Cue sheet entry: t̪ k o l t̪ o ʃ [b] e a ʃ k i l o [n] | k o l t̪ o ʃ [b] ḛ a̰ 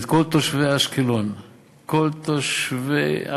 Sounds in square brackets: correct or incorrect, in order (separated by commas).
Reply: incorrect, correct, incorrect